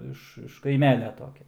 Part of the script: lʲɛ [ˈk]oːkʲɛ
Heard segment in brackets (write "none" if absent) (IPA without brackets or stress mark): t